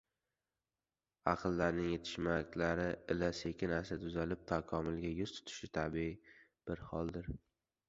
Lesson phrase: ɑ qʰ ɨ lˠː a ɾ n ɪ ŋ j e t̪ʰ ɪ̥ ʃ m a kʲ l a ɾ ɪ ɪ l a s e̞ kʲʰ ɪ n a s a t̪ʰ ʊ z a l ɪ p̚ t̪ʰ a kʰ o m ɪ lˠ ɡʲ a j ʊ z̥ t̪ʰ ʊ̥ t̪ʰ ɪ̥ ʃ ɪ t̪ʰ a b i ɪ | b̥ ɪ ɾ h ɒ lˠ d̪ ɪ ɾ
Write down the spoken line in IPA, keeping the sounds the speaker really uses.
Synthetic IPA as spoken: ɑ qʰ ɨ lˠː a ɾ n ɪ ŋ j e t̪ʰ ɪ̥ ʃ m a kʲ l a ɾ ɪ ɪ l a s e̞ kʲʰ ɪ n a s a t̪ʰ ʊ z a l ɪ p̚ t̪ʰ a kʰ ɒ m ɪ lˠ ɡʲ a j ʊ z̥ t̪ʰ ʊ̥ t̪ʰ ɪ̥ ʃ ɪ t̪ʰ a b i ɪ | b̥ ɪ ɾ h ɒ lˠ d̪ ɪ ɾ